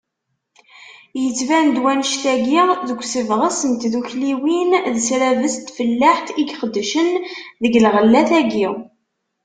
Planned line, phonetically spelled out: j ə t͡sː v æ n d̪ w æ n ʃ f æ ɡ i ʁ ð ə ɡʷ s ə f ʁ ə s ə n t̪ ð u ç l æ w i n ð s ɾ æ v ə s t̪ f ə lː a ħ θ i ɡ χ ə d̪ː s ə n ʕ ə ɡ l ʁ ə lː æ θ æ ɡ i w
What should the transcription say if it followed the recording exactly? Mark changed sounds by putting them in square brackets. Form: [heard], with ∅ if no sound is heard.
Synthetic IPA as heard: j ə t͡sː v æ n d̪ w æ n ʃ [θ] æ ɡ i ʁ ð ə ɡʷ s ə [v] ʁ ə s ə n t̪ ð u ç l [i] w i n ð s ɾ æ v ə s t̪ f ə lː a ħ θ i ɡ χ ə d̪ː [ʃ] ə n [ð] ə ɡ l ʁ ə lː æ θ æ ɡ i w